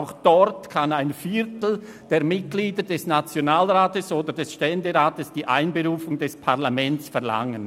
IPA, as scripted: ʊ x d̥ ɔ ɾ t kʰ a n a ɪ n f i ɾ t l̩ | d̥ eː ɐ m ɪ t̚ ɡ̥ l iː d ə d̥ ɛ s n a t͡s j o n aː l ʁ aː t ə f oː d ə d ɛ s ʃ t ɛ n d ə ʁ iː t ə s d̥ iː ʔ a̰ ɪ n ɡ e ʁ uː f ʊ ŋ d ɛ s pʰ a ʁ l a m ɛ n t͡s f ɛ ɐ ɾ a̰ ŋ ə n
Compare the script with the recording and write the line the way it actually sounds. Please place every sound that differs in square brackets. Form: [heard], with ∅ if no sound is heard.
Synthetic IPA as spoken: ʊ x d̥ ɔ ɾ t kʰ a n a ɪ n f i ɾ t l̩ | d̥ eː ɐ m ɪ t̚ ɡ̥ l iː d ə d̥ ɛ s n a t͡s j o n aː l ʁ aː t ə [s] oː d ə d ɛ s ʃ t ɛ n d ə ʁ [aː] t ə s d̥ iː ʔ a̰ ɪ n [b] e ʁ uː f ʊ ŋ d ɛ s pʰ a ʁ l a m ɛ n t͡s f ɛ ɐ [l] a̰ ŋ ə n